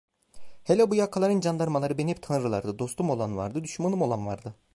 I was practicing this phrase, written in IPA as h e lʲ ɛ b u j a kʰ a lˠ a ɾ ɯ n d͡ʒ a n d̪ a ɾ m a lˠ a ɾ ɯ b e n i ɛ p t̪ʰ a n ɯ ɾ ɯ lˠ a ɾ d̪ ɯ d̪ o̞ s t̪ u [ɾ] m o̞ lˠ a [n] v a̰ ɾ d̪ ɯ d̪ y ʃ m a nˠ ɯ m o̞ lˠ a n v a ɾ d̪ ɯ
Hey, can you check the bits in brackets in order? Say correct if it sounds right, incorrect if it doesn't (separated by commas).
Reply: incorrect, correct